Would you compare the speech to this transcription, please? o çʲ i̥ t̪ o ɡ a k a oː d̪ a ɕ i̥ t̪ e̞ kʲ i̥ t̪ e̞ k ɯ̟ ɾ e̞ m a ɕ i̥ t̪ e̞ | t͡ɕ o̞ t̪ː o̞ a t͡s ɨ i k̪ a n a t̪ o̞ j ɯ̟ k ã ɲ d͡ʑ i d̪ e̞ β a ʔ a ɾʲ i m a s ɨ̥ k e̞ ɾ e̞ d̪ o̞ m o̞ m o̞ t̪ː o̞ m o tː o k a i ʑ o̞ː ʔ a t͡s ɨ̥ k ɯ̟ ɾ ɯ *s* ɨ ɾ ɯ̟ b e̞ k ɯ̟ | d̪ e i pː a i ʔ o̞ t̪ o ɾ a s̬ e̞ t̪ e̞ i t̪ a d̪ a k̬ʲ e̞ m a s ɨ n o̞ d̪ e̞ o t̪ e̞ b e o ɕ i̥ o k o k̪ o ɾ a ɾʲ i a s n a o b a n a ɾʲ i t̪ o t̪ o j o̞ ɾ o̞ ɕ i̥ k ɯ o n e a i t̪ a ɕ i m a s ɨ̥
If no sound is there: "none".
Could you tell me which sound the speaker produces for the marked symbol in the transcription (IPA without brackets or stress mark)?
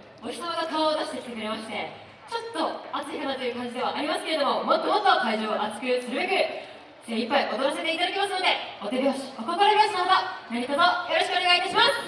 s